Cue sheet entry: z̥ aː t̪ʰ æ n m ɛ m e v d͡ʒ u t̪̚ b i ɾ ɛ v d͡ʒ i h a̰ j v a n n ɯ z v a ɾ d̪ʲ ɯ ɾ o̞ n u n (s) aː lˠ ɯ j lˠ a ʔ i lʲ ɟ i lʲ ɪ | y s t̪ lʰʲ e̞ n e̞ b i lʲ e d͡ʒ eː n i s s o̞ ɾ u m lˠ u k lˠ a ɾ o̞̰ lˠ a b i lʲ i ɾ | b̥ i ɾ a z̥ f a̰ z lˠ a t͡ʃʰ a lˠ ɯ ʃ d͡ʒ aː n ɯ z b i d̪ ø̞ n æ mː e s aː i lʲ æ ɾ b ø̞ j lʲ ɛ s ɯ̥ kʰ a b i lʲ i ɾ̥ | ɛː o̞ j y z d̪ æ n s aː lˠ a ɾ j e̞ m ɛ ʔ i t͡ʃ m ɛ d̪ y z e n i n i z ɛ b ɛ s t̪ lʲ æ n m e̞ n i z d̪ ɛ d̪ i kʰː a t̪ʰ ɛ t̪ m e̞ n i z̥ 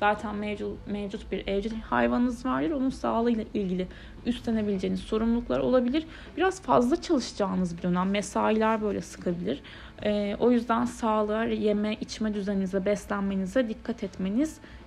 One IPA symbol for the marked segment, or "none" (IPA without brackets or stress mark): s